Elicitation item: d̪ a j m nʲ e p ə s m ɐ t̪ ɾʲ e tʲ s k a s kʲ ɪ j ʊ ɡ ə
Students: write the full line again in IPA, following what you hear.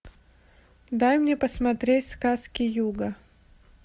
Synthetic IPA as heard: d̪ a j m nʲ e p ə s m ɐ t̪ ɾʲ e tʲ s k a s kʲ ɪ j u ɡ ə